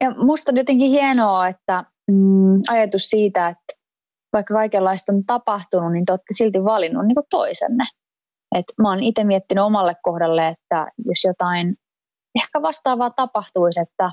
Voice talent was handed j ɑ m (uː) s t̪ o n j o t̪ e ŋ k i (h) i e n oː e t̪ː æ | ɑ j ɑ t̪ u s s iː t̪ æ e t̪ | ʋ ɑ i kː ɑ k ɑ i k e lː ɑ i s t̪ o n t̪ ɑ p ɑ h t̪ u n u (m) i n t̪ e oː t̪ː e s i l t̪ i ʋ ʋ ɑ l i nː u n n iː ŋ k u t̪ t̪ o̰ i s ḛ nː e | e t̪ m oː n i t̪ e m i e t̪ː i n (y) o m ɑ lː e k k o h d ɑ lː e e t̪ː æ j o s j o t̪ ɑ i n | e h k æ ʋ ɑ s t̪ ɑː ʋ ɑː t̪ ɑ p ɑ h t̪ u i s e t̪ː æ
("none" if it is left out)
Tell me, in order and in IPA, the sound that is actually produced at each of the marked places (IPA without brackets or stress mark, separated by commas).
u, h, n, y